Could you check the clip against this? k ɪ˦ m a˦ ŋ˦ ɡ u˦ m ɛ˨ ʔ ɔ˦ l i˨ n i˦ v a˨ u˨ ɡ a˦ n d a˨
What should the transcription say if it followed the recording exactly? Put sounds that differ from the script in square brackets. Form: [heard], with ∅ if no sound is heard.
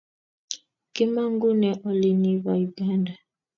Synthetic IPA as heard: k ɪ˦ m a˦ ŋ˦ ɡ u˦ [n] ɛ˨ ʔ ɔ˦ l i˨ n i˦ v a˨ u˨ ɡ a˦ n d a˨